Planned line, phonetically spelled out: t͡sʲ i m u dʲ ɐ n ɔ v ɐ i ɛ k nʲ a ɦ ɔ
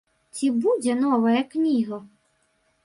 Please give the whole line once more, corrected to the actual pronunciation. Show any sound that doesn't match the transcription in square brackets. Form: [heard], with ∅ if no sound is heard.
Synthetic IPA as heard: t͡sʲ i [b] u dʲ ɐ n ɔ [ʋ] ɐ [j] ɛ k nʲ [i] ɦ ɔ